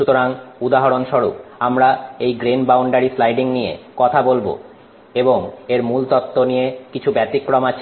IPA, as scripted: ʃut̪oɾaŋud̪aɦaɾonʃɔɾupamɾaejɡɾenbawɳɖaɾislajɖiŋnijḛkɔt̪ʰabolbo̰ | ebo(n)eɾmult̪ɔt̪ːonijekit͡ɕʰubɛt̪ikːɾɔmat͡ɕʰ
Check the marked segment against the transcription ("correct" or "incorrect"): incorrect